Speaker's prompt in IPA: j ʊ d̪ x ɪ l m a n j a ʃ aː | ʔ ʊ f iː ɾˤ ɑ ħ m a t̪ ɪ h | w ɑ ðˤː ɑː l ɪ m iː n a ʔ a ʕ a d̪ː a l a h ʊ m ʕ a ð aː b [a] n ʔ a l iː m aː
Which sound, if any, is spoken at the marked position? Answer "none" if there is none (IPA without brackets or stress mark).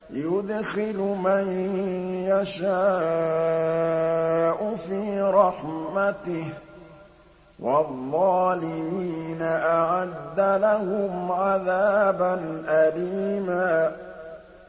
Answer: a